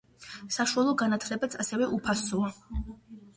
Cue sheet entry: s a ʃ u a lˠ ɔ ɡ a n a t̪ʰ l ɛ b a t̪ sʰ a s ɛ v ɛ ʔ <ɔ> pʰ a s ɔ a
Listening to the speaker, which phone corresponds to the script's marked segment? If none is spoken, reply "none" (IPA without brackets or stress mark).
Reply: u